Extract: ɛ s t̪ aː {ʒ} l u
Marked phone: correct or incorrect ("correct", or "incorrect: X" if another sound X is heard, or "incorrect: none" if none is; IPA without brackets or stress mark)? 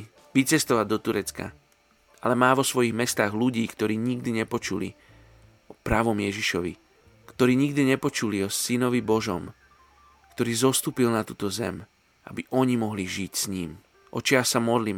incorrect: ɣ